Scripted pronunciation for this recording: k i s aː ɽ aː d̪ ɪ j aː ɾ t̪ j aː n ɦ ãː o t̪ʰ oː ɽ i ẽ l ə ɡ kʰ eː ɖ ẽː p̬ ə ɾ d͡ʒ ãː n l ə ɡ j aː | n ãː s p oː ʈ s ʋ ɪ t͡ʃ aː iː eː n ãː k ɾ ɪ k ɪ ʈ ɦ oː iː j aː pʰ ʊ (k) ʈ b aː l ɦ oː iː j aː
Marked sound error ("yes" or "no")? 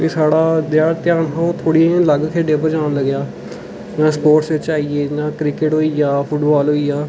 yes